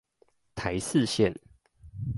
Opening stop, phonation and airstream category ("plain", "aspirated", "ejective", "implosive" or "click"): aspirated